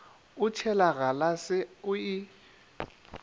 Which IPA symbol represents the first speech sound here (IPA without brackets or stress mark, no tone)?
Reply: ʊ